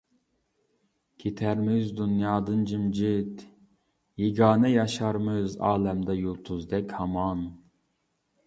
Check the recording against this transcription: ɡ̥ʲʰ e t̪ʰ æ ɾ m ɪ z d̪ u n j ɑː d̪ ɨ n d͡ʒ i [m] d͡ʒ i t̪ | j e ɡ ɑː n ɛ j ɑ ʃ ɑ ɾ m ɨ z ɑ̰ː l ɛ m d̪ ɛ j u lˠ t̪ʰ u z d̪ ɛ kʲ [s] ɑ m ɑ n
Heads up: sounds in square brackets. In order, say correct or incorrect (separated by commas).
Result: correct, incorrect